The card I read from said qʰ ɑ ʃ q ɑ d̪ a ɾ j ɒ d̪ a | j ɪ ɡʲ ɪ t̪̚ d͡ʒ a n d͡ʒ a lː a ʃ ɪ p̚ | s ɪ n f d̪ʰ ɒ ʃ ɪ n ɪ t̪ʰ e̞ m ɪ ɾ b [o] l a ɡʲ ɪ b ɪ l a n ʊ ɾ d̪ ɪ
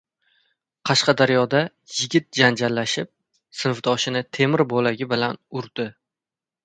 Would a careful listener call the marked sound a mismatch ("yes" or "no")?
no